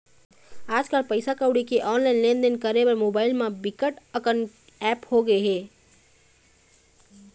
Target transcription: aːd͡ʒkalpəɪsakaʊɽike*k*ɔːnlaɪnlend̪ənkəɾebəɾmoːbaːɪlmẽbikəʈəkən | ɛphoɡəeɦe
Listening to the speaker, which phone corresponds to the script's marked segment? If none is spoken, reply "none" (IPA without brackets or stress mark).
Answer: ʔ